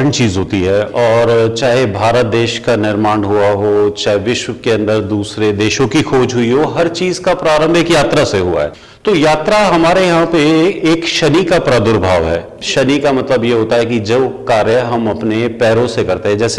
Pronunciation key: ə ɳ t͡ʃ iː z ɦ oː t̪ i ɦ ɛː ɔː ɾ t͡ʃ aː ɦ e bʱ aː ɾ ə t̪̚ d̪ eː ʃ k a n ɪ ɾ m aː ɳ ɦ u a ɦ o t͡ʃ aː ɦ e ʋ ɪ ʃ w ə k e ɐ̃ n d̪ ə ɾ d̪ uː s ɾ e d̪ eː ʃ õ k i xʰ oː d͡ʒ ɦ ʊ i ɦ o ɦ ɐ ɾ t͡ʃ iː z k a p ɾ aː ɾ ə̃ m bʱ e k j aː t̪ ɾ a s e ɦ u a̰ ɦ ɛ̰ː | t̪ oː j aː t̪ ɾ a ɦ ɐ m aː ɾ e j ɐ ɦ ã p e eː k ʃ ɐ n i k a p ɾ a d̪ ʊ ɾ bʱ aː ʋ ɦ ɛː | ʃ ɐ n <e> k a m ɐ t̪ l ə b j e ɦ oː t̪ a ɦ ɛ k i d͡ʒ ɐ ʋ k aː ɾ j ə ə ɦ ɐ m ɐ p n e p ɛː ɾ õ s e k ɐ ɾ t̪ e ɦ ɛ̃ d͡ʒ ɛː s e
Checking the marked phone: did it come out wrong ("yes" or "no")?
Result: yes